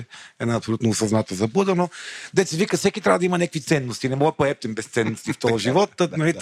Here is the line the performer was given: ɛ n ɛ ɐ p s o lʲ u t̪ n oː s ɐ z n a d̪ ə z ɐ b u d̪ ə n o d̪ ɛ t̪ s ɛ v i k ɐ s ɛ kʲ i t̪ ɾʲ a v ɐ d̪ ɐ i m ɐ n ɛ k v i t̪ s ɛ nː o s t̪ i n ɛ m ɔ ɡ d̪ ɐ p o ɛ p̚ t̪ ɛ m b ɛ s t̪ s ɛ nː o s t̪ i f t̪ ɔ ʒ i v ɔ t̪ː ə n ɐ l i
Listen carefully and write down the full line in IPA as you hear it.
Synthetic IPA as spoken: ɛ n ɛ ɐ p s o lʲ u t̪ n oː s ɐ z n a t̪ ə z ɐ b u d̪ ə n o d̪ ɛ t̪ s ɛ v i k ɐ s ɛ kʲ i t̪ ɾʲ a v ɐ d̪ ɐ i m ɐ n ɛ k v i t̪ s ɛ nː o s t̪ i n ɛ m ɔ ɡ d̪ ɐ p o ɛ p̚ t̪ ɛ m b ɛ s t̪ s ɛ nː o s t̪ i f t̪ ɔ ʒ i v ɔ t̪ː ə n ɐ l i